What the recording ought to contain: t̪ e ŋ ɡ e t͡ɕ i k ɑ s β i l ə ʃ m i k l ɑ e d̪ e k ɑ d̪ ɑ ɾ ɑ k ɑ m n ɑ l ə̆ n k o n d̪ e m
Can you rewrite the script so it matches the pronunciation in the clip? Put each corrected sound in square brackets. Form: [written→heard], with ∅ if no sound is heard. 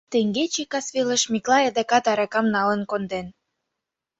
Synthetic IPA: t̪ e ŋ ɡ e t͡ɕ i k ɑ s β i l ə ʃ m i k l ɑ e d̪ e k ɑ [d̪→t̪] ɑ ɾ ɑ k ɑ m n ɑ l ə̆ n k o n d̪ e [m→n]